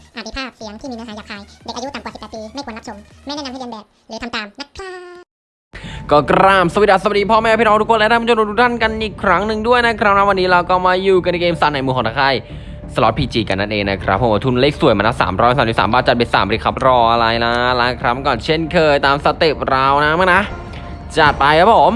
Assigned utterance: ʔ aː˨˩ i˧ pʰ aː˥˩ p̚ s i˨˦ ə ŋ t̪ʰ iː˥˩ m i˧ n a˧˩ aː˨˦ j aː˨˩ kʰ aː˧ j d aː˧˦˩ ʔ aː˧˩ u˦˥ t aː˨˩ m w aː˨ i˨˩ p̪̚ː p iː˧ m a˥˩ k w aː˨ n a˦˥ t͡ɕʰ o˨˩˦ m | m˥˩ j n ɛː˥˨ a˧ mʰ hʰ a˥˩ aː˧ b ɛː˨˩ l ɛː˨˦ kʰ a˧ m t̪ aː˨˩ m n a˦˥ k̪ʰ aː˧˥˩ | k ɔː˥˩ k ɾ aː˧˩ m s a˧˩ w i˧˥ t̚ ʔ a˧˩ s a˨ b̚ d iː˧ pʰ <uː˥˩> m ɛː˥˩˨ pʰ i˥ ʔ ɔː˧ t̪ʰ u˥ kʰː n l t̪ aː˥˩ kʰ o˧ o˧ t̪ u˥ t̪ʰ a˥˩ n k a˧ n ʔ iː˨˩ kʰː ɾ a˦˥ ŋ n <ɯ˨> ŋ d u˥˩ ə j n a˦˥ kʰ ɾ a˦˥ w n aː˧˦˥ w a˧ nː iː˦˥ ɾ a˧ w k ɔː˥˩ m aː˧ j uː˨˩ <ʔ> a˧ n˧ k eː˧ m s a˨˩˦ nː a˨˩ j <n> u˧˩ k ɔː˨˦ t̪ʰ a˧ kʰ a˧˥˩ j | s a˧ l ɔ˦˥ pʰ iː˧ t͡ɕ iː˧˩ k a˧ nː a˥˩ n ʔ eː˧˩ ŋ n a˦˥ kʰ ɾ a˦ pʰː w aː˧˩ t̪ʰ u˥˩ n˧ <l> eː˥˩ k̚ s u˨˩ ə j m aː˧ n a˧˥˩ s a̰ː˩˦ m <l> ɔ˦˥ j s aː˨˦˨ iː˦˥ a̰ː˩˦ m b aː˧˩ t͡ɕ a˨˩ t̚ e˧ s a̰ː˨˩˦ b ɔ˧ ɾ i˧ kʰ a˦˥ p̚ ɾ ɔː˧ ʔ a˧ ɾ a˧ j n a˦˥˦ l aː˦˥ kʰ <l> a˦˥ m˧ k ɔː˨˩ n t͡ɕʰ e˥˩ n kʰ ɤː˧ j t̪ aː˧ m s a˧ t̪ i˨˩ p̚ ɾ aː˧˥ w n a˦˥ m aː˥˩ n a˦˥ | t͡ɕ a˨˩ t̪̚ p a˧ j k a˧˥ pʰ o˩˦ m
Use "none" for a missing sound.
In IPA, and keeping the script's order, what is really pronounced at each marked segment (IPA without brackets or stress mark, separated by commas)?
ɔː˥˩, ɯ˨, k, m, l, ɾ, ɾ